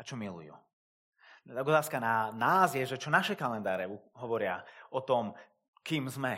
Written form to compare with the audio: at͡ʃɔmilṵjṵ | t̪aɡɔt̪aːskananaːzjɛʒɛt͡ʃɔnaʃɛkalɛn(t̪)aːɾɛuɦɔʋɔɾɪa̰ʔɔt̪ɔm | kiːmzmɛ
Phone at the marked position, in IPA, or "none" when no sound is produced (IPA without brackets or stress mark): d̪